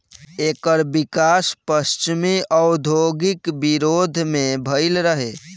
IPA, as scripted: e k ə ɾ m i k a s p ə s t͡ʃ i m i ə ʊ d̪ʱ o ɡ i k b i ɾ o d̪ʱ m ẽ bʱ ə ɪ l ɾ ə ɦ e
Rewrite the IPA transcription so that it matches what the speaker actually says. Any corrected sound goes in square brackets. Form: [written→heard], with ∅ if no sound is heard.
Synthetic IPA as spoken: e k ə ɾ [m→b] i k a s p ə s t͡ʃ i m i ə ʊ d̪ʱ o ɡ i k b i ɾ o d̪ʱ m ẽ bʱ ə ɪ l ɾ ə ɦ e